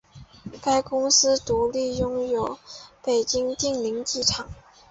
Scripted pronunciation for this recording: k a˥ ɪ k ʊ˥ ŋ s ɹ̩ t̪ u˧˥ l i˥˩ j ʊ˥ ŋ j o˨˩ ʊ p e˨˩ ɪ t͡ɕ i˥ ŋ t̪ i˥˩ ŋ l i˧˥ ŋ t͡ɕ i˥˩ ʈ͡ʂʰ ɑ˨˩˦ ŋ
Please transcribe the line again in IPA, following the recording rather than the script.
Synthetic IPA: k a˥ ɪ k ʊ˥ ŋ s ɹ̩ t̪ u˧˥ l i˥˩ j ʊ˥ ŋ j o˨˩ ʊ p e˨˩ ɪ t͡ɕ i˥ ŋ t̪ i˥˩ ŋ l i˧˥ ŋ t͡ɕ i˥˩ ʈ͡ʂʰ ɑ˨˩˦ ŋ